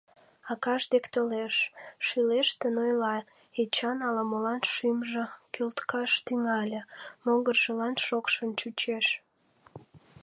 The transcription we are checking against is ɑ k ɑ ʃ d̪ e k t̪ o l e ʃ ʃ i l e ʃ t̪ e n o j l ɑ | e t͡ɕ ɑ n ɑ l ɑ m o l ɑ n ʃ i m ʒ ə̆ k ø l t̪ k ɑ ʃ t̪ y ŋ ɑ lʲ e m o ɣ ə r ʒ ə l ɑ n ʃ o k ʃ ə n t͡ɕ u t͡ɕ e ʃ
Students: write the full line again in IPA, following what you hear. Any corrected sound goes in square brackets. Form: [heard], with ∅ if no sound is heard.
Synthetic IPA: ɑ k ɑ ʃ d̪ e k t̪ o l e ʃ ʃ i l e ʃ t̪ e n o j l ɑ | e t͡ɕ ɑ n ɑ l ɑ m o l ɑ n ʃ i m ʒ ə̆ k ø l t̪ k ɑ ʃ t̪ y ŋ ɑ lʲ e m o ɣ ə r ʒ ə l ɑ n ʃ o k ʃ ə n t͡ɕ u t͡ɕ e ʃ